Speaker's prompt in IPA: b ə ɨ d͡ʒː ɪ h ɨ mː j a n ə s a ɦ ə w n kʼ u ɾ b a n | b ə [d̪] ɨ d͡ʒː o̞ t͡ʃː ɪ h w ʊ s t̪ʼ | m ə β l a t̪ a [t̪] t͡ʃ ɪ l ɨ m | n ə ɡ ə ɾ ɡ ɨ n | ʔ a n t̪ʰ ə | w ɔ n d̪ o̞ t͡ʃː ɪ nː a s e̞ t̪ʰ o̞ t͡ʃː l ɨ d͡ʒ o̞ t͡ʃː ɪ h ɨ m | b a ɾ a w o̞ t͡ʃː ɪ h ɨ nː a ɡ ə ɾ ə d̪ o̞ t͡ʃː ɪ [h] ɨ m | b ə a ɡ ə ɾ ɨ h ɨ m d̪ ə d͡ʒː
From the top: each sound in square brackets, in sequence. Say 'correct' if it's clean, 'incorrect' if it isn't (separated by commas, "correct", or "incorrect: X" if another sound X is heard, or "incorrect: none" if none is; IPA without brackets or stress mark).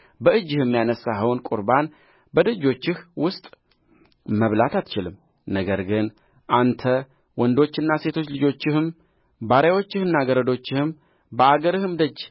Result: correct, correct, correct